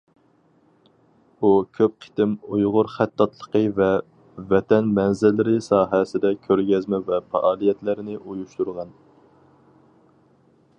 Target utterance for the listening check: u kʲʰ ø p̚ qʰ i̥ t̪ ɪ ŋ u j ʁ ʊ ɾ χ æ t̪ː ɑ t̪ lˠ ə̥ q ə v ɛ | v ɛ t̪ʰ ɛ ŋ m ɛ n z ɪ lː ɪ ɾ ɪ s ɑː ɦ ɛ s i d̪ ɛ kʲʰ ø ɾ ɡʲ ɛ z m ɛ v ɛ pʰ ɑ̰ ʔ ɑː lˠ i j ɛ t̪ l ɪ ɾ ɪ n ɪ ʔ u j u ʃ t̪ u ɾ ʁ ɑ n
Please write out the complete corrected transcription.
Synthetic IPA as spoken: u kʲʰ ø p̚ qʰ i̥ t̪ ɪ m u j ʁ ʊ ɾ χ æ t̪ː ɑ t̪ lˠ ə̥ q ə v ɛ | v ɛ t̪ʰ ɛ n m ɛ n z ɪ lː ɪ ɾ ɪ s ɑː ɦ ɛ s ɪ d̪ ɛ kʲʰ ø ɾ ɡʲ ɛ z m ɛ v ɛ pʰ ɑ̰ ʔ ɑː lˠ i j ɛ t̪ l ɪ ɾ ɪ n ɪ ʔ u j u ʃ t̪ u ɾ ʁ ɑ n

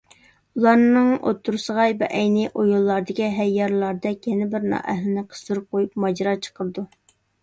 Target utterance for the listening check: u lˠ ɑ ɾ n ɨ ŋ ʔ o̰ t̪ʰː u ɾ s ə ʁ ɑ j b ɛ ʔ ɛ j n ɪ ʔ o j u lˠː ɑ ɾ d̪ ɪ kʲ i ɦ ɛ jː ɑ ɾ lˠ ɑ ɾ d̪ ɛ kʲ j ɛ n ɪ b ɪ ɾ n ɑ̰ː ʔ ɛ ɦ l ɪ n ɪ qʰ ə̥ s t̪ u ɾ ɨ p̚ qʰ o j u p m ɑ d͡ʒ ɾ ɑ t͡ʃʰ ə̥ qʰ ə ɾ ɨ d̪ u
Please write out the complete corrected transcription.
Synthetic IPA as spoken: u lˠ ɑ ɾ n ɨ ŋ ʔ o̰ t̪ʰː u ɾ s ə ʁ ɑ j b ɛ ʔ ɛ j n ɪ ʔ o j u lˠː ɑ ɾ d̪ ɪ kʲ i ɦ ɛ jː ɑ ɾ lˠ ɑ ɾ d̪ ɛ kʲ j ɛ n ɪ b ɪ ɾ n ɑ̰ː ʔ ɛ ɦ l ɪ n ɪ qʰ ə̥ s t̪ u ɾ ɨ p̚ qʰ o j u p m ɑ d͡ʒ ɾ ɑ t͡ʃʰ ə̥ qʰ ə ɾ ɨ d̪ u

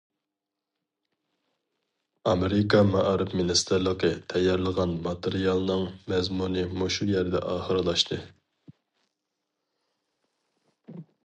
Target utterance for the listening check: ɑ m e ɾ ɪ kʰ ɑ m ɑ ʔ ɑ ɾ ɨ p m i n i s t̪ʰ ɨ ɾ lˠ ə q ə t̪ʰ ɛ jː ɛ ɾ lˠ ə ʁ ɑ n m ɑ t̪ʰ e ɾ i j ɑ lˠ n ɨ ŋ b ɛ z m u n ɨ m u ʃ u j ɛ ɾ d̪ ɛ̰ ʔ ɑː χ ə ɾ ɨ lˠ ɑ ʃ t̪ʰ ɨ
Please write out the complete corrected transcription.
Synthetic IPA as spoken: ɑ m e ɾ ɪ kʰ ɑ m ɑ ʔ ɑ ɾ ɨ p m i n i s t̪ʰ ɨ ɾ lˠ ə q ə t̪ʰ ɛ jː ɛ ɾ lˠ ə ʁ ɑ n m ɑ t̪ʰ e ɾ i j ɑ lˠ n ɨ ŋ m ɛ z m u n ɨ m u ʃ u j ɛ ɾ d̪ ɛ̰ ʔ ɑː χ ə ɾ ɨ lˠ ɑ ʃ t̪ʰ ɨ

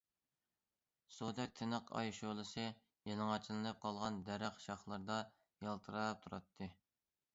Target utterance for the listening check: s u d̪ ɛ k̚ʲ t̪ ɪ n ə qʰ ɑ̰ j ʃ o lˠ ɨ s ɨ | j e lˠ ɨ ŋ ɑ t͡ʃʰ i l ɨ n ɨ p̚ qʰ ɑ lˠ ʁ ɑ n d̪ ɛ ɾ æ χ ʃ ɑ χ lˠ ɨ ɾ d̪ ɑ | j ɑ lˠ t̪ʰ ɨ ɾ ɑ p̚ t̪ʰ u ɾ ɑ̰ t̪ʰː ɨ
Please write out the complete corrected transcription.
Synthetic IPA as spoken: s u d̪ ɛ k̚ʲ t̪ʰ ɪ n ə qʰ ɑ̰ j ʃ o lˠ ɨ s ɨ | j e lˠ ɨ ŋ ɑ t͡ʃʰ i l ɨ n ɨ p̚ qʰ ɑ lˠ ʁ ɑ n d̪ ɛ ɾ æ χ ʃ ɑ χ lˠ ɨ ɾ d̪ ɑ | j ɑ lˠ t̪ʰ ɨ ɾ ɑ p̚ t̪ʰ u ɾ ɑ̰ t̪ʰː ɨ

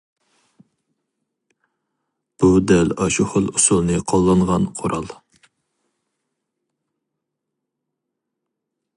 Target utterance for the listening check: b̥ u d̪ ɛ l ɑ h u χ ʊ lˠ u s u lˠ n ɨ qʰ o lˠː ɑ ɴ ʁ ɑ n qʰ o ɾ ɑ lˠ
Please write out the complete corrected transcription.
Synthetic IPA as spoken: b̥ u d̪ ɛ l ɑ ʃ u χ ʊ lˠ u s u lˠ n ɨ qʰ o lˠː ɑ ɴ ʁ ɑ n qʰ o ɾ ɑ lˠ

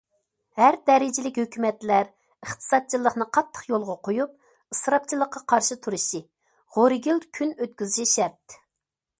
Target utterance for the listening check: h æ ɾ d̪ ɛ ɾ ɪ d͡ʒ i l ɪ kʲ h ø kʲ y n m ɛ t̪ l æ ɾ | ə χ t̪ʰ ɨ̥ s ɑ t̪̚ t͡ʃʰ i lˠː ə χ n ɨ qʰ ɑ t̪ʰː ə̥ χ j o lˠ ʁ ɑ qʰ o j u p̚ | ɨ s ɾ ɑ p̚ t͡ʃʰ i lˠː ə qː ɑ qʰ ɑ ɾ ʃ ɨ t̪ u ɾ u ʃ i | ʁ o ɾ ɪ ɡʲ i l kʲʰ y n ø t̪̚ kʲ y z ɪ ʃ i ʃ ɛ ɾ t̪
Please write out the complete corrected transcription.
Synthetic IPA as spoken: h æ ɾ d̪ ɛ ɾ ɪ d͡ʒ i l ɪ kʲ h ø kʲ y m ɛ t̪ l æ ɾ | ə χ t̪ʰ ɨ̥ s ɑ t̪̚ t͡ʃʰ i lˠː ə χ n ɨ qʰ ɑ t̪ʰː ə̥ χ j o lˠ ʁ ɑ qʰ o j u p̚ | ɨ s ɾ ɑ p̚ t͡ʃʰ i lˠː ə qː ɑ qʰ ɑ ɾ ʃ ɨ t̪ʰ u ɾ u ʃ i | ʁ o ɾ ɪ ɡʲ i l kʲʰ y n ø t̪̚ kʲ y z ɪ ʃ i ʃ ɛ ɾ t̪

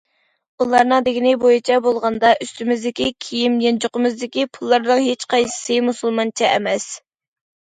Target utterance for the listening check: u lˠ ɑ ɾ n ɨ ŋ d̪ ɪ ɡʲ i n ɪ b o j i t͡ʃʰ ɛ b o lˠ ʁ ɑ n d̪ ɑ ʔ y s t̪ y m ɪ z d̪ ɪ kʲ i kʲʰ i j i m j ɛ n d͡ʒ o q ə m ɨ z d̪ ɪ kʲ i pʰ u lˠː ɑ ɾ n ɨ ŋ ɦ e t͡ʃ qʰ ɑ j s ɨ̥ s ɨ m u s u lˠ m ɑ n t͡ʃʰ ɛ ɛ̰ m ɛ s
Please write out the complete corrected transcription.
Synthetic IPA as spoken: u lˠ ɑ ɾ n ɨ ŋ d̪ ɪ ɡʲ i n ɪ b o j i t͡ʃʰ ɛ b o lˠ ʁ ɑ n d̪ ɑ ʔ y s t̪ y m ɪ z d̪ ɪ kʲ i kʲʰ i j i m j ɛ n d͡ʒ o q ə m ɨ z d̪ ɪ kʲ i pʰ u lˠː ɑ ɾ n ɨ ŋ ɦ e t͡ʃ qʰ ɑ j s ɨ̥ s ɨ m u s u lˠ m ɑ n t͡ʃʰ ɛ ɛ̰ m ɛ s

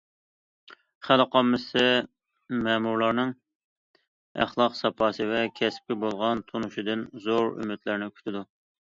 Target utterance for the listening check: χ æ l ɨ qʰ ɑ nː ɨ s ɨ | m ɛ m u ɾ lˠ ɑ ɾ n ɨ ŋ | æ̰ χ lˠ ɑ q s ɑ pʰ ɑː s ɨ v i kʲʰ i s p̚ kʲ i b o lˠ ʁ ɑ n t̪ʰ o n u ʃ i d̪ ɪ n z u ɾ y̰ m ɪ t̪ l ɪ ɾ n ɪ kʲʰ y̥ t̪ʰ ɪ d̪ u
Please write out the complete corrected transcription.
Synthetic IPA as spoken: χ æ l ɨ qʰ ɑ mː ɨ s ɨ | m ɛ m u ɾ lˠ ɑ ɾ n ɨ ŋ | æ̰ χ lˠ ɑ q s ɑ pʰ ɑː s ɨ v ɛ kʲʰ ɛ s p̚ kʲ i b o lˠ ʁ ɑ n t̪ʰ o n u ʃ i d̪ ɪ n z o ɾ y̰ m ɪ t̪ l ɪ ɾ n ɪ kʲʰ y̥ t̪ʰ ɪ d̪ u

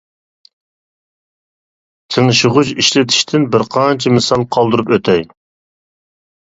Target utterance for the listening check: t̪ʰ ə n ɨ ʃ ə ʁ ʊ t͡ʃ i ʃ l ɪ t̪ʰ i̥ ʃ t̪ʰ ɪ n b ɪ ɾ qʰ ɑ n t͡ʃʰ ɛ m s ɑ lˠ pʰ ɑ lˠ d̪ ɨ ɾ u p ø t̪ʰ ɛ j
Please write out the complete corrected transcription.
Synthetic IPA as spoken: t̪ʰ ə ŋ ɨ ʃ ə ʁ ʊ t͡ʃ i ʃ l ɪ t̪ʰ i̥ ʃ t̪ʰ ɪ n b ɪ ɾ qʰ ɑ n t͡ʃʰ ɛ m s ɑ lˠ qʰ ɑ lˠ d̪ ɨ ɾ u p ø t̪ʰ ɛ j

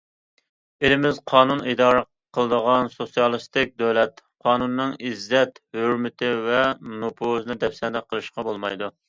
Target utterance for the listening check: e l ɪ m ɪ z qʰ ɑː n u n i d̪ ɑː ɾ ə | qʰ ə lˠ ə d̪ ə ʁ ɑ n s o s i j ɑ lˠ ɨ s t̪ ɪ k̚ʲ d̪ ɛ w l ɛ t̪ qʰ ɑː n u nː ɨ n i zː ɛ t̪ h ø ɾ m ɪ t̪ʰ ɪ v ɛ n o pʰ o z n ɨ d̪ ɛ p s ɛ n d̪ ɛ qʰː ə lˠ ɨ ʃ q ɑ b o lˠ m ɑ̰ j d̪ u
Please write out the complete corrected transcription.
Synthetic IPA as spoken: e l ɪ m ɪ z qʰ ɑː n u n i d̪ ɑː ɾ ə | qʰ ə lˠ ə d̪ ə ʁ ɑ n s o s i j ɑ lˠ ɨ s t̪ ɪ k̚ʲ d̪ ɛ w l ɛ t̪ qʰ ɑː n u nː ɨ ŋ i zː ɛ t̪ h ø ɾ m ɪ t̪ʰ ɪ v ɛ n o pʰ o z n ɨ d̪ ɛ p s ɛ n d̪ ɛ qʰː ə lˠ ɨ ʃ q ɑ b o lˠ m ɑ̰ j d̪ u

